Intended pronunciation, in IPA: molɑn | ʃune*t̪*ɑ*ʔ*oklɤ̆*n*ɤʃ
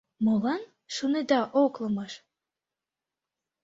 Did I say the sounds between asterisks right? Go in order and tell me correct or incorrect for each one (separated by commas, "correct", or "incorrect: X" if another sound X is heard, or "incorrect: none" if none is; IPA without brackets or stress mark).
incorrect: d̪, correct, incorrect: m